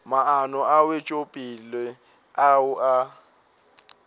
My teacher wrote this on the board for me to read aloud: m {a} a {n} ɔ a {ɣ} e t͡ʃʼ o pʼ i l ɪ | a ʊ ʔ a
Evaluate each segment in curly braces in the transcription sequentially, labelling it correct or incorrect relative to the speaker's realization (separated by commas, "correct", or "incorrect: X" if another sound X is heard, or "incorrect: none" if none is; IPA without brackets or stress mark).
correct, correct, incorrect: w